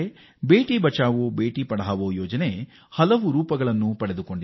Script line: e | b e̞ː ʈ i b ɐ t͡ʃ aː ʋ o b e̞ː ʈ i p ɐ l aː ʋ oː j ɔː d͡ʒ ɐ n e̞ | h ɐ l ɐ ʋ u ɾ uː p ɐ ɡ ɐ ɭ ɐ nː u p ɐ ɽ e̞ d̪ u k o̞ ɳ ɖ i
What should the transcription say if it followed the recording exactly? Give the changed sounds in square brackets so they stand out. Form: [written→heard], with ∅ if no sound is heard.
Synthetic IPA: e | b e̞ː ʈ i b ɐ t͡ʃ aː ʋ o b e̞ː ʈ i p ɐ [l→ɽ] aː ʋ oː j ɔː d͡ʒ ɐ n e̞ | h ɐ l ɐ ʋ u ɾ uː p ɐ ɡ ɐ ɭ ɐ nː u p ɐ ɽ e̞ d̪ u k o̞ ɳ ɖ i